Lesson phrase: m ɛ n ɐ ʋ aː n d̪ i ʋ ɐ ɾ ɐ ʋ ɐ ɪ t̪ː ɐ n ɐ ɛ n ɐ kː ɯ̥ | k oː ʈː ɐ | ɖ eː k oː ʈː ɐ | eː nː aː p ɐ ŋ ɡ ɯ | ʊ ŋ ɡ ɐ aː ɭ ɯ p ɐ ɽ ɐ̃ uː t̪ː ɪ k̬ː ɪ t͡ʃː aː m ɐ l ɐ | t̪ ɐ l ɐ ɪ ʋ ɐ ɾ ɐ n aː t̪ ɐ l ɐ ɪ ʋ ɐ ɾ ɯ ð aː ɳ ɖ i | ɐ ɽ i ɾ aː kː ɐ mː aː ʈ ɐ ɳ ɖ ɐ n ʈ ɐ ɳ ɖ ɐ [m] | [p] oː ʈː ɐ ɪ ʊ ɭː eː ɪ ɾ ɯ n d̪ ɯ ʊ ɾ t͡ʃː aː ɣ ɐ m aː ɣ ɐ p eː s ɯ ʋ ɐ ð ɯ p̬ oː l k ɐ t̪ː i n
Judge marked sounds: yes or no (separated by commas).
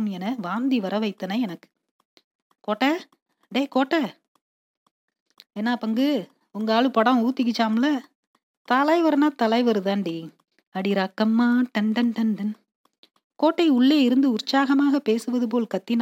no, no